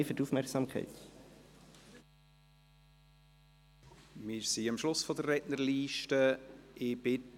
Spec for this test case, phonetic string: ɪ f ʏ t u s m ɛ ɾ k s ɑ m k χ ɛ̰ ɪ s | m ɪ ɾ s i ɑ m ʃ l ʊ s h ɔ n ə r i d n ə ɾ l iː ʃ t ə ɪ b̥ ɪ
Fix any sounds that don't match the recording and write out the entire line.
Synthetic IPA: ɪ f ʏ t u f m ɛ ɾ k s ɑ m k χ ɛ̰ ɪ t | m ɪ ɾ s i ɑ m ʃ l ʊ s f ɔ d ə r ɛ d n ə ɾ l iː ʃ t ə ɪ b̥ ɪ